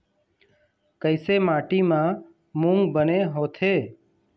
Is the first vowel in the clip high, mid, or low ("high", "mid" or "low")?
mid